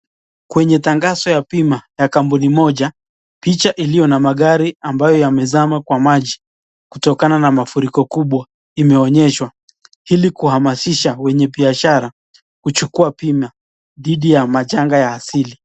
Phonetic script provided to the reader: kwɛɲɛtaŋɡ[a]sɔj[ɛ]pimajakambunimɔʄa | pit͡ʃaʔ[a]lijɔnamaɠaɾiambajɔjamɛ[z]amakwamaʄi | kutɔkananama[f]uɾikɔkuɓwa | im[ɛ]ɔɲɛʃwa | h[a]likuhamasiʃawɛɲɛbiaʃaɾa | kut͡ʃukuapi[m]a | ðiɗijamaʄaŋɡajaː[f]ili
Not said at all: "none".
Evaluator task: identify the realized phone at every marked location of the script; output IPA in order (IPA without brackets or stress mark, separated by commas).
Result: a, a, i, z, f, ɛ, i, m, s